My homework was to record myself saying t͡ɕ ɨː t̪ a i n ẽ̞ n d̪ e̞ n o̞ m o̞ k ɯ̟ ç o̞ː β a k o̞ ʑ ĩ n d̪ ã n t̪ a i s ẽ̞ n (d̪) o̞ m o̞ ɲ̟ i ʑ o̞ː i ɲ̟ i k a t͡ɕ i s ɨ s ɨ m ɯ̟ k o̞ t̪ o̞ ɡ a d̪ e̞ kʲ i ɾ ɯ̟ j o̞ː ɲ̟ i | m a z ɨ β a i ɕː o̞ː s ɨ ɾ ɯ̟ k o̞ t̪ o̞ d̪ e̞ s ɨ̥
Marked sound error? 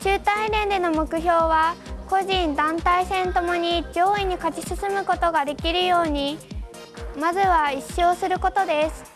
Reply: yes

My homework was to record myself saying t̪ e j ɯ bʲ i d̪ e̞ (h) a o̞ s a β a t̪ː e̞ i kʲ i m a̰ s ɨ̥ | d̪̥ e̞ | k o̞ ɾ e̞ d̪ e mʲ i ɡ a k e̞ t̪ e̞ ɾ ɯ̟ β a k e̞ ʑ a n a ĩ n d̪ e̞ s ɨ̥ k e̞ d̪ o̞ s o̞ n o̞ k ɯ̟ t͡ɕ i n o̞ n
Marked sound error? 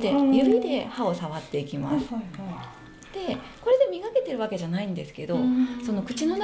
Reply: no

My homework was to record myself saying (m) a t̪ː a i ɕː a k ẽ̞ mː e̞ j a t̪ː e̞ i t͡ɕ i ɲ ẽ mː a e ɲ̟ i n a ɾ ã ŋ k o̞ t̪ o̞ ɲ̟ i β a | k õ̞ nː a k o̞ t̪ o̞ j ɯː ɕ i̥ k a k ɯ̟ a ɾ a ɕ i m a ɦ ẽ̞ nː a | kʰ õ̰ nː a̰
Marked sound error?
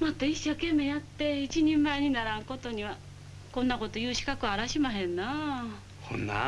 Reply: no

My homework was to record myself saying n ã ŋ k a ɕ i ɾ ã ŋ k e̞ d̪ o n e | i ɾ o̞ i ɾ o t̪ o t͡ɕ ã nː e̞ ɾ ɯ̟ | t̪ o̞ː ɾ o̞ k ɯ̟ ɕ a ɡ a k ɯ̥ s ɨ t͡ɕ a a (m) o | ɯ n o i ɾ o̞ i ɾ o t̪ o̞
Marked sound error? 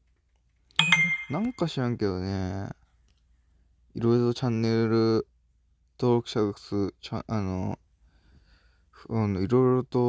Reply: yes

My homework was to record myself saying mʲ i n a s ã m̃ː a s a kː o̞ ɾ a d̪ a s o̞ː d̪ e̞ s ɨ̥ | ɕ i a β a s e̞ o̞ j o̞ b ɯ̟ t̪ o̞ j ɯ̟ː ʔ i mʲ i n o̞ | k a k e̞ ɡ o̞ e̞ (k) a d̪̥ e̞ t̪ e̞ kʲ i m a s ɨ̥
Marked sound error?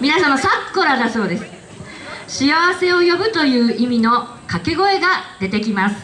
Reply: yes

